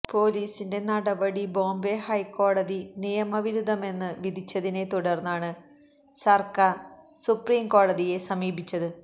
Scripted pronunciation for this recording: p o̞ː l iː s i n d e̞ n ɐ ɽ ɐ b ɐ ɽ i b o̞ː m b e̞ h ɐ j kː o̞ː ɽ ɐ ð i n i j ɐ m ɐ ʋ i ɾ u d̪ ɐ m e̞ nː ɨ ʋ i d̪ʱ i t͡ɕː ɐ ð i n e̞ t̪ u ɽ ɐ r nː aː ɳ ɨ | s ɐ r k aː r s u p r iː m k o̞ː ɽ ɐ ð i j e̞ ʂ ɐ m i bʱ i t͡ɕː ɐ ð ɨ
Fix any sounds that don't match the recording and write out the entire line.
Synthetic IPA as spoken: p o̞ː l iː s i n d e̞ n ɐ ɽ ɐ b ɐ ɽ i b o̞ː m b e̞ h ɐ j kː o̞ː ɽ ɐ ð i n i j ɐ m ɐ ʋ i ɾ u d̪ ɐ m e̞ nː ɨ ʋ i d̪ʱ i t͡ɕː ɐ ð i n e̞ t̪ u ɽ ɐ r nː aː ɳ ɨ | s ɐ r k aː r s u p r iː m k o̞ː ɽ ɐ ð i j e̞ s ɐ m iː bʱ i t͡ɕː ɐ ð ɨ

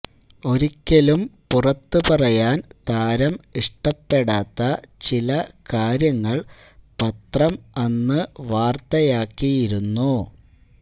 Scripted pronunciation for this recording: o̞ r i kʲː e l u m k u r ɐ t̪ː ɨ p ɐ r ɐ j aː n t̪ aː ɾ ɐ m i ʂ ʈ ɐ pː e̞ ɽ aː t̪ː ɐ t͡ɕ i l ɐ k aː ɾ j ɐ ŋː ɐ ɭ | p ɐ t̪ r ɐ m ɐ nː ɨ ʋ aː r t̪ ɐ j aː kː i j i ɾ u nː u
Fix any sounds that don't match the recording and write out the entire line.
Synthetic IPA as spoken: o̞ ɾ i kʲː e l u m p u r ɐ t̪ː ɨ p ɐ r ɐ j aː n t̪ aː ɾ ɐ m i ʂ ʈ ɐ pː e̞ ɽ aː t̪ː ɐ t͡ɕ i l ɐ k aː ɾ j ɐ ŋː ɐ ɭ | p ɐ t̪ r ɐ m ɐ nː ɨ ʋ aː r t̪ ɐ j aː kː i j i ɾ u nː u

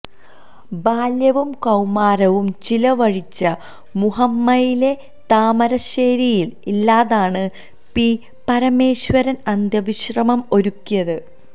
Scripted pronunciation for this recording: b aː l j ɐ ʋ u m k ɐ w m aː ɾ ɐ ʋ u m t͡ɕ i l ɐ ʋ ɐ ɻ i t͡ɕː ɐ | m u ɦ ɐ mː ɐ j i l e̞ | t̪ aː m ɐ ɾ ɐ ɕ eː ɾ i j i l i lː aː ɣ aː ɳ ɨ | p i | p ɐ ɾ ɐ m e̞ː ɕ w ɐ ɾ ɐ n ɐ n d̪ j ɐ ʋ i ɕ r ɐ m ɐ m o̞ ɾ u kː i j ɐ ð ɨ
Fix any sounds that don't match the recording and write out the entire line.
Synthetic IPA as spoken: b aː l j ɐ ʋ u m k ɐ w m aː ɾ ɐ ʋ u m t͡ɕ i l ɐ ʋ ɐ ɻ i t͡ɕː ɐ | m u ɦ ɐ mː ɐ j i l e̞ | t̪ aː m ɐ ɾ ɐ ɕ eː ɾ i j i l i lː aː ð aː ɳ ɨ | p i | p ɐ ɾ ɐ m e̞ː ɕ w ɐ ɾ ɐ n ɐ n d̪ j ɐ ʋ i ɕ r ɐ m ɐ m o̞ ɾ u kː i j ɐ ð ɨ

